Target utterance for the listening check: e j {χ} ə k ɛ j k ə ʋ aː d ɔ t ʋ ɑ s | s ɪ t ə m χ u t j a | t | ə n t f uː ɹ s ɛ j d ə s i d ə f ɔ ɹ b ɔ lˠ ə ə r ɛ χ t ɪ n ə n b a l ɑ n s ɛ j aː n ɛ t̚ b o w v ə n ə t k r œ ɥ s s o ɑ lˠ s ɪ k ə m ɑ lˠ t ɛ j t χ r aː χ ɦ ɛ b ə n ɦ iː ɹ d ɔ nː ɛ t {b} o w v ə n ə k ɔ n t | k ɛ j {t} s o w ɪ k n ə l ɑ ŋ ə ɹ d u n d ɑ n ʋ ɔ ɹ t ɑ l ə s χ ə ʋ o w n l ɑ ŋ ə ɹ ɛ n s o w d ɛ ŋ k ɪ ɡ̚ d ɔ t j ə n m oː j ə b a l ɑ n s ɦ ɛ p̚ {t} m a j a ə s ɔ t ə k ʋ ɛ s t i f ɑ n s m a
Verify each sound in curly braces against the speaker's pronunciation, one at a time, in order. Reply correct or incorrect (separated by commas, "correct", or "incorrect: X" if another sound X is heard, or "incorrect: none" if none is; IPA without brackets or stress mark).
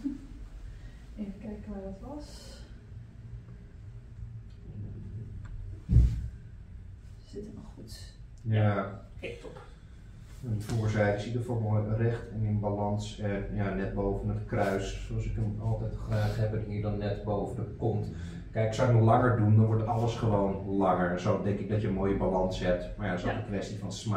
incorrect: f, correct, incorrect: k, correct